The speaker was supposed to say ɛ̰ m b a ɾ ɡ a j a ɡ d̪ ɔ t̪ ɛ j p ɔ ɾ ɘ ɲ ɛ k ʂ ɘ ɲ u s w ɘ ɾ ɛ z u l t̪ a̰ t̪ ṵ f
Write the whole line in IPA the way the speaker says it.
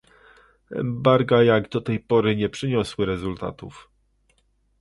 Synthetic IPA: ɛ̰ m b a ɾ ɡ a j a ɡ d̪ ɔ t̪ ɛ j p ɔ ɾ ɘ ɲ ɛ p ʂ ɘ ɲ ɔ s w ɘ ɾ ɛ z u l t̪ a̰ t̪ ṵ f